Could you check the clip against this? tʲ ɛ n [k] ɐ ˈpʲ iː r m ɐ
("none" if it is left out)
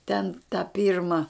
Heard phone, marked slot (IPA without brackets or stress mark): t